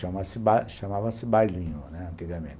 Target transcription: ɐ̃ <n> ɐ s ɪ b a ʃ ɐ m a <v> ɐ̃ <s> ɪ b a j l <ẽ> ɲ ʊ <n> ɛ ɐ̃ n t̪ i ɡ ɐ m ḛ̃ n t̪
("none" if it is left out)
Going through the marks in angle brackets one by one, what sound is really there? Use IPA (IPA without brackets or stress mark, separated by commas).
m, v, s, ĩ, n